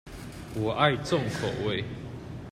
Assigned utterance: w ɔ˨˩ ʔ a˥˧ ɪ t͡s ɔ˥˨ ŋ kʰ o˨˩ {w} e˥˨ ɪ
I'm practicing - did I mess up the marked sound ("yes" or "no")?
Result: no